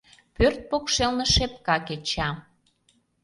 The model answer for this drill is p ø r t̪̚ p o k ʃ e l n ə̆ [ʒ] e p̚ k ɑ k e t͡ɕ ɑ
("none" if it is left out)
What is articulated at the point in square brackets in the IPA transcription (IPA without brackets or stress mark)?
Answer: ʃ